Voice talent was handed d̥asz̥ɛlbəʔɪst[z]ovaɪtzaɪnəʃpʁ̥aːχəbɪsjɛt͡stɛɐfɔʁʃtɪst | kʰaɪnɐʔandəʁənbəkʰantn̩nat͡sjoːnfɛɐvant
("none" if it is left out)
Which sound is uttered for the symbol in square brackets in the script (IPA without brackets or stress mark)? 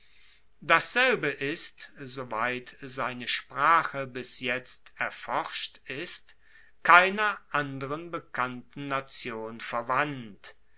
z